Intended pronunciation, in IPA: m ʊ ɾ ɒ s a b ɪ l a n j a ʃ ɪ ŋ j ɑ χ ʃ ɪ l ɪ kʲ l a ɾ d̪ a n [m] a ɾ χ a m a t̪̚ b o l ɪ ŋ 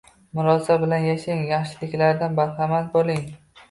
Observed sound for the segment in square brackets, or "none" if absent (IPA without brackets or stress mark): b